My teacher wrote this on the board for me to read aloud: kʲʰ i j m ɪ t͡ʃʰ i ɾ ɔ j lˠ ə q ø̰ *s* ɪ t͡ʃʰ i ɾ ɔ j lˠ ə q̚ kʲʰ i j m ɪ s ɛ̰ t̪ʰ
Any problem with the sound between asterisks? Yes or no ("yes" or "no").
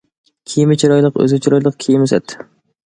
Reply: yes